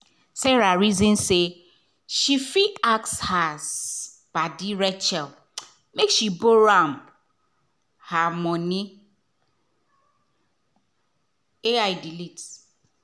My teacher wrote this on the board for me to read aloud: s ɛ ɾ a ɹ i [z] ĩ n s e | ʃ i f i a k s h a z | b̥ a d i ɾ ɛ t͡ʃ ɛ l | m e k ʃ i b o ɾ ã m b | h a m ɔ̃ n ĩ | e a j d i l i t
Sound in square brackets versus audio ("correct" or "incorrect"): correct